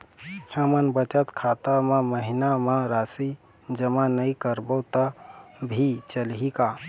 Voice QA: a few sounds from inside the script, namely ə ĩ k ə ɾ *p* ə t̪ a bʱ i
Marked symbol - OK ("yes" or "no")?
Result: no